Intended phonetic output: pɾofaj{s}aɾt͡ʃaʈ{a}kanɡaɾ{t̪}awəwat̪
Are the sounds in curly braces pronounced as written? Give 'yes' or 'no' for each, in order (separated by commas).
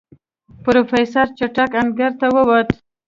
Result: yes, yes, yes